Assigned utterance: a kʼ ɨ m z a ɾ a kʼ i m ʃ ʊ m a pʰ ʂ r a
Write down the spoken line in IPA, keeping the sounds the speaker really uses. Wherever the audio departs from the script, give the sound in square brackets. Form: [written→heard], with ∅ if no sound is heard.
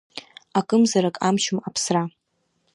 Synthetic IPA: a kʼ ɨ m z a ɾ a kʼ [i→a] m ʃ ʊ m a pʰ [ʂ→s] r a